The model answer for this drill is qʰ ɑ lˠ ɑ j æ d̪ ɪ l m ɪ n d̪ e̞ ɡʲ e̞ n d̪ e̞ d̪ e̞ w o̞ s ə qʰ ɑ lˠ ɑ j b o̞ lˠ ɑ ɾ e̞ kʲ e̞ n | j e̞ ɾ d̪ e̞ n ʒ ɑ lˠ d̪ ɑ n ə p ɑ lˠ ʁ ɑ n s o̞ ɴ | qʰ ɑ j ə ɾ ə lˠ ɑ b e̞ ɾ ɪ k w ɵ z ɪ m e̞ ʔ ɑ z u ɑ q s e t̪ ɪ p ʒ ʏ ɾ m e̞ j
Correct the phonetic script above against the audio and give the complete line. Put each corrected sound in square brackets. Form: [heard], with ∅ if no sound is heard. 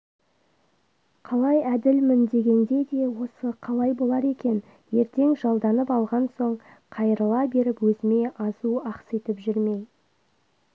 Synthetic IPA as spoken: qʰ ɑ lˠ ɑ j æ d̪ ɪ l m ɪ n d̪ e̞ ɡʲ e̞ n d̪ e̞ d̪ e̞ w o̞ s ə qʰ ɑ lˠ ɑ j b o̞ lˠ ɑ ɾ e̞ kʲ e̞ n | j e̞ ɾ [t̪] e̞ [ŋ] ʒ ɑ lˠ d̪ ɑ n ə p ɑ lˠ ʁ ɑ n s o̞ ɴ | qʰ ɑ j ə ɾ ə lˠ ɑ b e̞ ɾ ɪ [p] w ɵ z ɪ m e̞ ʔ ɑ z u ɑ q s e t̪ ɪ p ʒ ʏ ɾ m e̞ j

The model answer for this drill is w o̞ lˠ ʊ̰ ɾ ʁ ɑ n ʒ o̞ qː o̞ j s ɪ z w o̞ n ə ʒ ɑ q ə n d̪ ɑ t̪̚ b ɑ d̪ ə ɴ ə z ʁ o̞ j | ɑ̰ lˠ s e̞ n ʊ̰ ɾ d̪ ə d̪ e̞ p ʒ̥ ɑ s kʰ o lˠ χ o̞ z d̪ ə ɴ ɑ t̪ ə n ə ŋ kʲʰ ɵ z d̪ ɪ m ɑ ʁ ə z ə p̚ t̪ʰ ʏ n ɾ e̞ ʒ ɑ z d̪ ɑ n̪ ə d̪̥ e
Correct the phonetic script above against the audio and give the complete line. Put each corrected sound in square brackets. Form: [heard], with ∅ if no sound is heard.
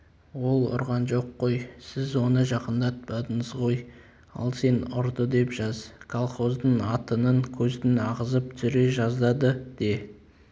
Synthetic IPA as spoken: w o̞ lˠ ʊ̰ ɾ ʁ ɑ n ʒ o̞ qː o̞ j s ɪ z w o̞ n ə ʒ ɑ q ə n d̪ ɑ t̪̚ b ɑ d̪ ə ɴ ə z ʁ o̞ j | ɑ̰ lˠ s e̞ n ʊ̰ ɾ d̪ ə d̪ e̞ p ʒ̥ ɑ [z] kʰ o lˠ χ o̞ z d̪ ə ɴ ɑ t̪ ə n ə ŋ kʲʰ ɵ z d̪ ɪ [n] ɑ ʁ ə z ə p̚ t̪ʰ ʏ [∅] ɾ e̞ ʒ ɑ z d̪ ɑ [d̪] ə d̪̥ e

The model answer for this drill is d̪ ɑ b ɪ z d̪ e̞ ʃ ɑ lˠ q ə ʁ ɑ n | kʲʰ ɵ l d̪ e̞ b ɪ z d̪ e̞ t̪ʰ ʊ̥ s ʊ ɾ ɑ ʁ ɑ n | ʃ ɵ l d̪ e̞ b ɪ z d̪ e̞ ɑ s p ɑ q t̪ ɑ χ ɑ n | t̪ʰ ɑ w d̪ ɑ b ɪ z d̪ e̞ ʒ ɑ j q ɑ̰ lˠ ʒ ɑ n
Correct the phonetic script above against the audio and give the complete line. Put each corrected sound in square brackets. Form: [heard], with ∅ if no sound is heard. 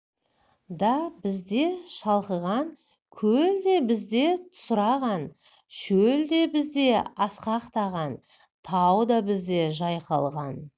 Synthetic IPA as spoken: d̪ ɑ b ɪ z d̪ e̞ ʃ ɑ lˠ q ə ʁ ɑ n | kʲʰ ɵ l d̪ e̞ b ɪ z d̪ e̞ t̪ʰ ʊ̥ s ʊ ɾ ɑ ʁ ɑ n | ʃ ɵ l d̪ e̞ b ɪ z d̪ e̞ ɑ s [q] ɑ q t̪ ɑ [ʁ] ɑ n | t̪ʰ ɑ w d̪ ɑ b ɪ z d̪ e̞ ʒ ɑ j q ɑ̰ lˠ [ʁ] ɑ n

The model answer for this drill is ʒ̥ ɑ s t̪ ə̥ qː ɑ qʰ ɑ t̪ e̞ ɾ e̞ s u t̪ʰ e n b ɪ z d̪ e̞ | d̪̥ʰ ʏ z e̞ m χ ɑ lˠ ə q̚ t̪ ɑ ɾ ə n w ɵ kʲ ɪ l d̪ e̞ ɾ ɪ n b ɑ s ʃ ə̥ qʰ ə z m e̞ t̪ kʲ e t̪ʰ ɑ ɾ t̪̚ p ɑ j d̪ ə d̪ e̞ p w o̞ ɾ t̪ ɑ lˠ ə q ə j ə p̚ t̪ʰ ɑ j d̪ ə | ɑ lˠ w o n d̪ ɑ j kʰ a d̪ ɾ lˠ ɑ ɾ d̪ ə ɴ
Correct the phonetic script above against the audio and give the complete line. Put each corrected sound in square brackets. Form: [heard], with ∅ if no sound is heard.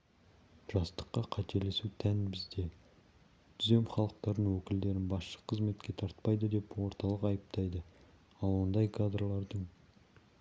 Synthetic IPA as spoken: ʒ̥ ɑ s t̪ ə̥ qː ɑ qʰ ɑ t̪ e̞ [l] e̞ s u t̪ʰ [æ] n b ɪ z d̪ e̞ | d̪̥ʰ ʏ z e̞ m χ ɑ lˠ ə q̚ t̪ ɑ ɾ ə n w ɵ kʲ ɪ l d̪ e̞ ɾ ɪ n b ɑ s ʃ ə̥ qʰ ə z m e̞ t̪ kʲ e t̪ʰ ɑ ɾ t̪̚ p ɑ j d̪ ə d̪ e̞ p w o̞ ɾ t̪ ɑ lˠ ə q [ɑ] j ə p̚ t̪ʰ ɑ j d̪ ə | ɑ lˠ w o n d̪ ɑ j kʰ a d̪ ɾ lˠ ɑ ɾ d̪ ə ɴ

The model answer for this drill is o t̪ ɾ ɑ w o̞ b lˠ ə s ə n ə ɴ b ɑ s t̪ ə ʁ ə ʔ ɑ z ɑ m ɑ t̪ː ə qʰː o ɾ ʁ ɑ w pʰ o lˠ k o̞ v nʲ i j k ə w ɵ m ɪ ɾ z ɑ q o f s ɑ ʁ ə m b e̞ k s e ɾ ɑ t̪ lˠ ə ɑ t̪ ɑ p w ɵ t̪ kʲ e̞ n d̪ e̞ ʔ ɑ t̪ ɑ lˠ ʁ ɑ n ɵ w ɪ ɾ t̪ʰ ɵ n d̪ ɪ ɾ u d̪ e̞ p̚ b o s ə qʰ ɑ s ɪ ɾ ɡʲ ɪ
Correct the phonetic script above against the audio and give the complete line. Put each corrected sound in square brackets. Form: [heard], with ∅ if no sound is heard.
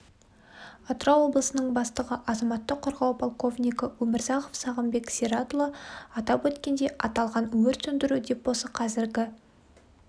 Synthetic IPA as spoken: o t̪ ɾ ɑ w o̞ b lˠ ə s ə n ə ɴ b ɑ s t̪ ə ʁ ə ʔ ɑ z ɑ m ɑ t̪ː ə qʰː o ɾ ʁ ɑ w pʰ o lˠ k o̞ v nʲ i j k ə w ɵ m ɪ ɾ z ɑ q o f s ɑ ʁ ə m b e̞ k s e ɾ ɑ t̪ lˠ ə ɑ t̪ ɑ p w ɵ t̪ kʲ e̞ n d̪ e̞ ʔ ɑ t̪ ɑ lˠ ʁ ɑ n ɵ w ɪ ɾ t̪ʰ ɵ n d̪ ɪ ɾ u d̪ e̞ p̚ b o s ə qʰ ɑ [z] ɪ ɾ ɡʲ ɪ

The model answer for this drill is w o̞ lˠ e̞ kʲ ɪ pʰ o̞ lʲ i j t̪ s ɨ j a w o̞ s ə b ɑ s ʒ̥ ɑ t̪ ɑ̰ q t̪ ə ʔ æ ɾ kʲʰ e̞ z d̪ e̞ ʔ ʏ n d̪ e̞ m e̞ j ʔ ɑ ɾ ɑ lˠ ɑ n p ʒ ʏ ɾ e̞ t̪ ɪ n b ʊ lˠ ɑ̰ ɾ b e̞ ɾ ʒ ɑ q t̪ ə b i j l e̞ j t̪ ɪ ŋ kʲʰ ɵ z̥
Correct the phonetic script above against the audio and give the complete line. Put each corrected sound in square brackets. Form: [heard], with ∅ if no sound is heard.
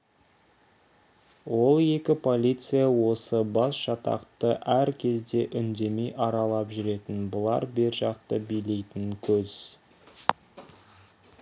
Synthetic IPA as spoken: w o̞ lˠ e̞ kʲ ɪ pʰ o̞ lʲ i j t̪ s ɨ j a w o̞ s ə b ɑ s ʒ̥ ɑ t̪ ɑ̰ q t̪ ə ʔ æ ɾ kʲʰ e̞ z d̪ e̞ ʔ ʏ n d̪ e̞ m e̞ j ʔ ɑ ɾ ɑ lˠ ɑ [∅] p ʒ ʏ ɾ e̞ t̪ ɪ n b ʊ lˠ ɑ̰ ɾ b e̞ ɾ ʒ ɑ q t̪ ə b i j l e̞ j t̪ ɪ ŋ kʲʰ ɵ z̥

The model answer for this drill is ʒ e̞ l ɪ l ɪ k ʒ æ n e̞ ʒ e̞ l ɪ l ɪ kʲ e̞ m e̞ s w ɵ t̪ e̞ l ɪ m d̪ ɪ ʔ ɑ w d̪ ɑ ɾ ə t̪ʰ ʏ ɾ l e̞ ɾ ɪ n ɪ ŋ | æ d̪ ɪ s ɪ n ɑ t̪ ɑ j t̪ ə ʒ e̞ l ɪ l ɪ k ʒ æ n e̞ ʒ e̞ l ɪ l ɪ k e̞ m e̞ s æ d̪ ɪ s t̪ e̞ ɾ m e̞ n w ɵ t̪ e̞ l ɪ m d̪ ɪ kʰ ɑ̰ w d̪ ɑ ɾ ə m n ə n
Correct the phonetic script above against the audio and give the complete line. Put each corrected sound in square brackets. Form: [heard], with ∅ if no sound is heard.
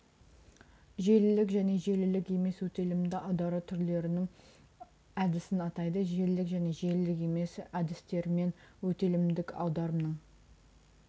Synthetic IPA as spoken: ʒ e̞ l ɪ l ɪ k ʒ æ n e̞ ʒ e̞ l ɪ l ɪ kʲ e̞ m e̞ s w ɵ t̪ e̞ l ɪ m d̪ ɪ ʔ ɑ w d̪ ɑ ɾ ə t̪ʰ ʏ ɾ l e̞ ɾ ɪ n ɪ ŋ | æ d̪ ɪ s ɪ n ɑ t̪ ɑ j [d̪] ə ʒ e̞ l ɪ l ɪ k ʒ æ n e̞ ʒ e̞ l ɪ l ɪ k e̞ m e̞ s æ d̪ ɪ s t̪ e̞ ɾ m e̞ n w ɵ t̪ e̞ l ɪ m d̪ ɪ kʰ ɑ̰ w d̪ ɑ ɾ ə m n ə [ɴ]

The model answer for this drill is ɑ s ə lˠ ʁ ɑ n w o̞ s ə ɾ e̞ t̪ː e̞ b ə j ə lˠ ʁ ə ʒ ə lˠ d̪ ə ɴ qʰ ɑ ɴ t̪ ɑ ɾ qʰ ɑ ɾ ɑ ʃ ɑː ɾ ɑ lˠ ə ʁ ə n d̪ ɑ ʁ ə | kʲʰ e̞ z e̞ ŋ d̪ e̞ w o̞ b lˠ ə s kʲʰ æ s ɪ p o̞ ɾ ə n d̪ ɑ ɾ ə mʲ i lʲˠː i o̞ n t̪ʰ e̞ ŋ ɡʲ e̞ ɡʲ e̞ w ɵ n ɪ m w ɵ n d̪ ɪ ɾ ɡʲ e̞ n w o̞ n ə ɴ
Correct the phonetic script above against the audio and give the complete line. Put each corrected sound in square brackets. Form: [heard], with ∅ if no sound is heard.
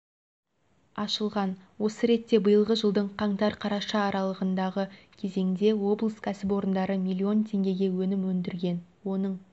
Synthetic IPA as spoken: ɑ [ʃ] ə lˠ ʁ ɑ n w o̞ s ə ɾ e̞ t̪ː e̞ b ə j ə lˠ ʁ ə ʒ ə lˠ d̪ ə ɴ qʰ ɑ ɴ t̪ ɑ ɾ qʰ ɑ ɾ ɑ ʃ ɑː ɾ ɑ lˠ ə ʁ ə n d̪ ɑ ʁ ə | kʲʰ e̞ z e̞ ŋ d̪ e̞ w o̞ b lˠ ə s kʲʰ æ s ɪ p o̞ ɾ ə n d̪ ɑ ɾ ə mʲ i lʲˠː i o̞ n t̪ʰ e̞ ŋ ɡʲ e̞ ɡʲ e̞ w ɵ n ɪ m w ɵ n d̪ ɪ ɾ ɡʲ e̞ n w o̞ n ə ɴ

